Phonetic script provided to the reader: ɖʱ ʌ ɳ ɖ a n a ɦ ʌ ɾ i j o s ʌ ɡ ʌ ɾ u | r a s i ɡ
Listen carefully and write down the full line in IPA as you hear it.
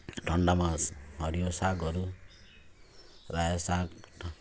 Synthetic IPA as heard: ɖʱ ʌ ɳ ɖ a m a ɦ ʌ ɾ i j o s a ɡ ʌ ɾ u | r a s a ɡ